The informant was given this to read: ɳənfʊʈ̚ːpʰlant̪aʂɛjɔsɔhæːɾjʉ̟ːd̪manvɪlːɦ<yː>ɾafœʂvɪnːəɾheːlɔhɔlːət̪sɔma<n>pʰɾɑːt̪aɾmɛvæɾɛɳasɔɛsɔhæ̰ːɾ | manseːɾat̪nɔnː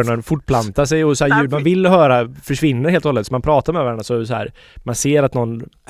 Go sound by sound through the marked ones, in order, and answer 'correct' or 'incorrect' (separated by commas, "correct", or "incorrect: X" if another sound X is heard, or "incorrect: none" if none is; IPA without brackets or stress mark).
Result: incorrect: œː, correct